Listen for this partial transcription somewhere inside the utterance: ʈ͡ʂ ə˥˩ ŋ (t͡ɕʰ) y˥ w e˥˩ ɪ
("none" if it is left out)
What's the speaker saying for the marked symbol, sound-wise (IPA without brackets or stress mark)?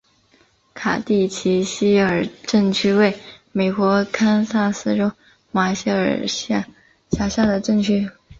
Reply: t͡ɕʰ